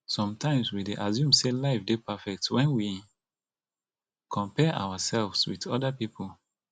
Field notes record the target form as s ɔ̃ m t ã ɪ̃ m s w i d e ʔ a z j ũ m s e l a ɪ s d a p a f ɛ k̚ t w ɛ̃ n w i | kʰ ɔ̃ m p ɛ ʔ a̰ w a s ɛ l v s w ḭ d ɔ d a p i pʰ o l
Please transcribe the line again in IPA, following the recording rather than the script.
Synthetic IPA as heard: s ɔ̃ m t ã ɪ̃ m s w i d e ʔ a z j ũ m s e l a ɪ f d e p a f ɛ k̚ t w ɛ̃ n w i | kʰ ɔ̃ m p ɛ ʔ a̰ w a s ɛ l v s w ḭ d ɔ d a p i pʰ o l